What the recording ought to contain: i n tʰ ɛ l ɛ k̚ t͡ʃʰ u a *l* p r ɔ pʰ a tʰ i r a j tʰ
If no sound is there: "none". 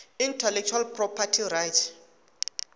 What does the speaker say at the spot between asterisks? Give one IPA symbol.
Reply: l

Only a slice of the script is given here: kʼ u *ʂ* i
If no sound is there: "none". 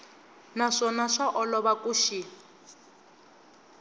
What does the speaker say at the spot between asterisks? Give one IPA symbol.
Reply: ʃ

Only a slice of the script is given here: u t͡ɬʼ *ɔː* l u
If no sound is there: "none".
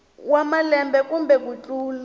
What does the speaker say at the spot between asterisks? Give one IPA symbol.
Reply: uː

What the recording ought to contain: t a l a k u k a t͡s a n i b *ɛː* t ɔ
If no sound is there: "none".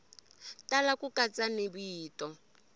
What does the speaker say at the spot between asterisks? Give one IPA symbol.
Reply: iː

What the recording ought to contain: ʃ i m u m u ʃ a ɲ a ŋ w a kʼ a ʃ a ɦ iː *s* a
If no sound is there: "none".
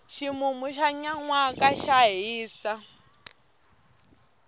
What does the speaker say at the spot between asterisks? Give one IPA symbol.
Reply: s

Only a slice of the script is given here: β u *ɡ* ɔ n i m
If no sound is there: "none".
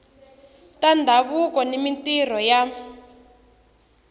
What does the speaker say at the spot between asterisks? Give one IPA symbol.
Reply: k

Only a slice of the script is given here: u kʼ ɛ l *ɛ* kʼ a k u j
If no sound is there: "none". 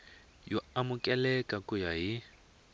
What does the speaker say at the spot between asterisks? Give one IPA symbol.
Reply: ɛ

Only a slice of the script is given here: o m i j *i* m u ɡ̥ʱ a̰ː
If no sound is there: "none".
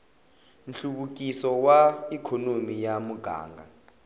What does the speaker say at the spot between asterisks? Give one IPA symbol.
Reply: a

